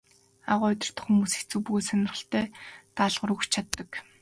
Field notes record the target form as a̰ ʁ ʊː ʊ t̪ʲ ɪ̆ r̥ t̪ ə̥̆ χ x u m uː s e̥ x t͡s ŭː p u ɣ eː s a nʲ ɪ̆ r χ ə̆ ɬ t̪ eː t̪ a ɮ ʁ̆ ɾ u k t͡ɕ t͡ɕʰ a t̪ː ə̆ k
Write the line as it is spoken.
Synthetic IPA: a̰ ʁ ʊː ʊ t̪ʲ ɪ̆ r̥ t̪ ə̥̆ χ x u m uː s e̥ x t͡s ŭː p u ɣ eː s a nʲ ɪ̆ r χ ə̆ ɬ t̪ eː t̪ a ɮ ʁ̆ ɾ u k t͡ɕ t͡ɕʰ a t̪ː ə̆ k